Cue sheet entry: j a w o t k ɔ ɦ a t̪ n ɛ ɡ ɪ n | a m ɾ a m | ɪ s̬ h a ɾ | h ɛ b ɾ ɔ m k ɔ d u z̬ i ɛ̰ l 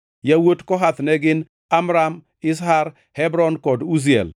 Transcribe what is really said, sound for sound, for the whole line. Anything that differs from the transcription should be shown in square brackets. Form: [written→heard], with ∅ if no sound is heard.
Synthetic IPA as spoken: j a w o t k ɔ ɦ a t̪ n ɛ ɡ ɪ n | a m ɾ a m | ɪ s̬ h a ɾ | h ɛ b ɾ ɔ [m→n] k ɔ d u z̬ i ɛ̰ l